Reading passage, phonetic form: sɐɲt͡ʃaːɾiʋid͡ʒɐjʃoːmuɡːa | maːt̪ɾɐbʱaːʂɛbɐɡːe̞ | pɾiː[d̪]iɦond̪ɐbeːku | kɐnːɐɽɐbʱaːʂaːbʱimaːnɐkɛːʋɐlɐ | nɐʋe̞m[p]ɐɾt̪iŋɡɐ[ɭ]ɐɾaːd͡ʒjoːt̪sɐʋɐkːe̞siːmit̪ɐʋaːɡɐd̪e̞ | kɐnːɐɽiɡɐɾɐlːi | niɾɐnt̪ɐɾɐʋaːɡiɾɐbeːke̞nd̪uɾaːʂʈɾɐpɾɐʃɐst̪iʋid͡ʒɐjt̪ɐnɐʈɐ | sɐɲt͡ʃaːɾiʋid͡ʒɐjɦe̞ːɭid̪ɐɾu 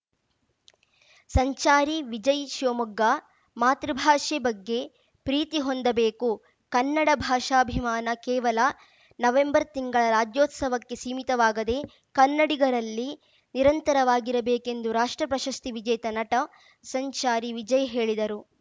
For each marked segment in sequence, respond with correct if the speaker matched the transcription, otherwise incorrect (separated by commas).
incorrect, incorrect, correct